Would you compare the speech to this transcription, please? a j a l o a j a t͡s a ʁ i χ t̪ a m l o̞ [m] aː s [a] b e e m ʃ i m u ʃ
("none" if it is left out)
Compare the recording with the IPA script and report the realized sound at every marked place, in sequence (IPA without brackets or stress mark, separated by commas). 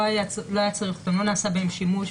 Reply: n, a